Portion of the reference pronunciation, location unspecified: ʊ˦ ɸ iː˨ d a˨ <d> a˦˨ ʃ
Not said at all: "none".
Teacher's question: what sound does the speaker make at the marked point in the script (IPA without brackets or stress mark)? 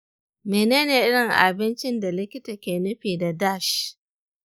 d